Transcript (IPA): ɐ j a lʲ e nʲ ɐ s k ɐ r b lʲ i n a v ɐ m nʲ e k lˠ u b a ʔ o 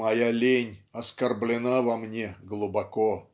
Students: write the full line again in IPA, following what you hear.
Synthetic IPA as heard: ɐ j a lʲ e nʲ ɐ s k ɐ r b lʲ ɪ n a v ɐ m nʲ e ɡ lˠ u b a k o

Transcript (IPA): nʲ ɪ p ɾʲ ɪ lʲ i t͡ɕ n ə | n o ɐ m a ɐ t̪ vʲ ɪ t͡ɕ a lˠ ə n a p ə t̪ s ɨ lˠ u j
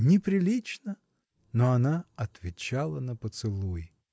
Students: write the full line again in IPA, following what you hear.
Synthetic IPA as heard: nʲ ɪ p ɾʲ ɪ lʲ i t͡ɕ n ə | n o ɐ n a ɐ t̪ vʲ ɪ t͡ɕ a lˠ ə n ə p ə t̪ s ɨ lˠ u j

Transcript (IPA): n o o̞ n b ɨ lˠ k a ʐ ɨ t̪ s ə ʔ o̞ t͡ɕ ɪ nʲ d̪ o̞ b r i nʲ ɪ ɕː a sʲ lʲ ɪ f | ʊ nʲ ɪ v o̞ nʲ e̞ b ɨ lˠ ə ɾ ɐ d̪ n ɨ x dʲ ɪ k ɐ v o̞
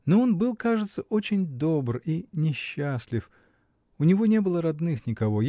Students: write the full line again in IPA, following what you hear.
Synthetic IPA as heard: n o o̞ n b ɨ lˠ k a ʐ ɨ t̪ s ə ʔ o̞ t͡ɕ ɪ nʲ d̪ o̞ b r i nʲ ɪ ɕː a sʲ lʲ ɪ f | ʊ nʲ ɪ v o̞ nʲ e̞ b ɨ lˠ ə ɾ ɐ d̪ n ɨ x nʲ ɪ k ɐ v o̞

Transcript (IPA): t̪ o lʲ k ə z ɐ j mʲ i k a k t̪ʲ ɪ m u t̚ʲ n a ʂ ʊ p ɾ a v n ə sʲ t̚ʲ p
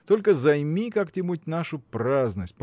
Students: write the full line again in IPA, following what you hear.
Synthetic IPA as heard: t̪ o lʲ k ə z ɐ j mʲ i k a k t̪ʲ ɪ m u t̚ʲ n a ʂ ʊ p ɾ a z n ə sʲ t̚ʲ p

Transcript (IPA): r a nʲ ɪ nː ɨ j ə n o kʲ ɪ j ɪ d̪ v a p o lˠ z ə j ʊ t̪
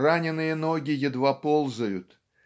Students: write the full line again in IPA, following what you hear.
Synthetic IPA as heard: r a nʲ ɪ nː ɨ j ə n o ɡʲ ɪ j ɪ d̪ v a p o lˠ z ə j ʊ t̪

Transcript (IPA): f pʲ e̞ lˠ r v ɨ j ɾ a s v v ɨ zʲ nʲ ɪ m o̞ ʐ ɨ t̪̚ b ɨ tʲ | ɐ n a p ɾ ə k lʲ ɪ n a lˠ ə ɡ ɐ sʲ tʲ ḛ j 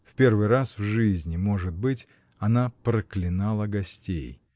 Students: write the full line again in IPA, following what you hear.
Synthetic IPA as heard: f pʲ e̞ r v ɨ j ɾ a s v ʐ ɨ zʲ nʲ ɪ m o̞ ʐ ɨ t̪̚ b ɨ tʲ | ɐ n a p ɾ ə k lʲ ɪ n a lˠ ə ɡ ɐ sʲ tʲ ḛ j

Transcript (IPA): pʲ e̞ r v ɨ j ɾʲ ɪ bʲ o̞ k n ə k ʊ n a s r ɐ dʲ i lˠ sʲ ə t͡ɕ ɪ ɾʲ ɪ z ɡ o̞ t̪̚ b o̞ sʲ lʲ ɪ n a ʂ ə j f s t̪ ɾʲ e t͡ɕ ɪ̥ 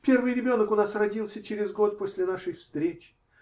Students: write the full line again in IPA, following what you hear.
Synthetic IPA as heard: pʲ e̞ r v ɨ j ɾʲ ɪ bʲ o̞ n ə k ʊ n a s r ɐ dʲ i lˠ sʲ ə t͡ɕ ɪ ɾʲ ɪ z ɡ o̞ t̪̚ p o̞ sʲ lʲ ɪ n a ʂ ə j f s t̪ ɾʲ e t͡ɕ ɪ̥

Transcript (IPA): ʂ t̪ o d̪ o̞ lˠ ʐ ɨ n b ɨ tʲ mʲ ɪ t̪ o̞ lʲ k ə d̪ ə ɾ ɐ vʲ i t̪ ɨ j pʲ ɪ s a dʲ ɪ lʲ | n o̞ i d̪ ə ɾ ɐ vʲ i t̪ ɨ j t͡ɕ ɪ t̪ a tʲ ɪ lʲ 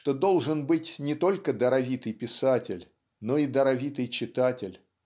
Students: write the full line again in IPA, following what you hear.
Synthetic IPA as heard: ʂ t̪ o d̪ o̞ lˠ ʐ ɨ n b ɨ tʲ nʲ ɪ t̪ o̞ lʲ k ə d̪ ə ɾ ɐ vʲ i t̪ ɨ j pʲ ɪ s a tʲ ɪ lʲ | n o̞ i d̪ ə ɾ ɐ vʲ i t̪ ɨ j t͡ɕ ɪ t̪ a tʲ ɪ lʲ

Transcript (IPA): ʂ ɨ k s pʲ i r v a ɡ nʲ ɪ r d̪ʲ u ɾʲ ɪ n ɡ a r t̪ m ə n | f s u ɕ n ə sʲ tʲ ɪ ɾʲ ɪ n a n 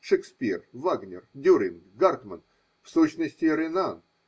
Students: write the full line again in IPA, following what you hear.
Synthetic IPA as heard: ʂ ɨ k s pʲ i r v a ɡ nʲ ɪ r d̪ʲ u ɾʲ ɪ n ɡ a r t̪ m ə n | f s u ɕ n ə sʲ tʲ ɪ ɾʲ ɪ n a n

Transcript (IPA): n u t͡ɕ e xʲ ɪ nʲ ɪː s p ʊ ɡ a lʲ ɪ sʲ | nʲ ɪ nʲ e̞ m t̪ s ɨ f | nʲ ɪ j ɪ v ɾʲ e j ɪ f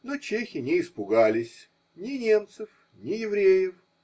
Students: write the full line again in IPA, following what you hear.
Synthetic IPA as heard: n o t͡ɕ e xʲ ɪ nʲ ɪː s p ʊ ɡ a lʲ ɪ sʲ | nʲ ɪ nʲ e̞ m t̪ s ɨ f | nʲ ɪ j ɪ v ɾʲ e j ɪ f

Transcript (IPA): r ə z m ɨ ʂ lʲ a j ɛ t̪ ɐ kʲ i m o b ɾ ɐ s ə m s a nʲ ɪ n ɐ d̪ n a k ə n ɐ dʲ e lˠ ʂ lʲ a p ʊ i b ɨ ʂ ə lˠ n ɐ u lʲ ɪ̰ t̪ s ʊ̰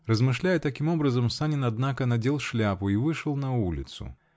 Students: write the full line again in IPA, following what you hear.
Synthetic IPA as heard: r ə z m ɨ ʂ lʲ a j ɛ t̪ ɐ kʲ i m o b ɾ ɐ z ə m s a nʲ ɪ n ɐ d̪ n a k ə n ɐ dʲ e lˠ ʂ lʲ a p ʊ i v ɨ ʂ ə lˠ n ɐ u lʲ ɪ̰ t̪ s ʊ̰

